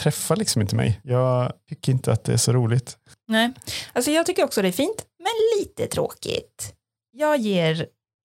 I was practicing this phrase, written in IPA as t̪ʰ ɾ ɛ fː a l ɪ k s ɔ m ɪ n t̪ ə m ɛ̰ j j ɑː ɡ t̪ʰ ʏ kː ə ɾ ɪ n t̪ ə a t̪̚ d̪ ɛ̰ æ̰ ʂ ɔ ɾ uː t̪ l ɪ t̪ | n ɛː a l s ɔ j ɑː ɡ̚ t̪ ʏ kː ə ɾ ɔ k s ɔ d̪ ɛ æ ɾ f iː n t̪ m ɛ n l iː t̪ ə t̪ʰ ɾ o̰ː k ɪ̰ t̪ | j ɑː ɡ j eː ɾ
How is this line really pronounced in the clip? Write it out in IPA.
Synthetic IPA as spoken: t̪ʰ ɾ ɛ fː a l ɪ k s ɔ m ɪ n t̪ ə m ɛ̰ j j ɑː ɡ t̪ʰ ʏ kː ə ɾ ɪ n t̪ ə a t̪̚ d̪ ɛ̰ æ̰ ʂ ɔ ɾ uː l ɪ t̪ | n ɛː a l s ɔ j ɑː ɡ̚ t̪ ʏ kː ə ɾ ɔ k s ɔ d̪ ɛ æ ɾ f iː n t̪ m ɛ n l iː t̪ ə t̪ʰ ɾ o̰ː k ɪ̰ t̪ | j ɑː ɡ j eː ɾ